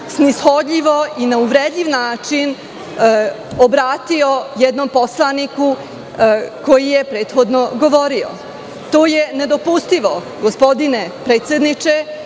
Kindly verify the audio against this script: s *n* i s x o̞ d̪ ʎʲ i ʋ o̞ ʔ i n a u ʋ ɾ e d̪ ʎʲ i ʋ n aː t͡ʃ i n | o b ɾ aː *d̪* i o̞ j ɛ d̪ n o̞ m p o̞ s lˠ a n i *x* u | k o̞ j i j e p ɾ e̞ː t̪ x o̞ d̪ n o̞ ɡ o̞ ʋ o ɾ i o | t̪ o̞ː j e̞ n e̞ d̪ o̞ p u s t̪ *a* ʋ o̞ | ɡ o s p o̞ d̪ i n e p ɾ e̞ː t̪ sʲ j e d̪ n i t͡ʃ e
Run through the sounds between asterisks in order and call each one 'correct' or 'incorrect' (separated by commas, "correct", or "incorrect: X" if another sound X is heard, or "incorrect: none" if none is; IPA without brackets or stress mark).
correct, incorrect: t̪, incorrect: k, incorrect: i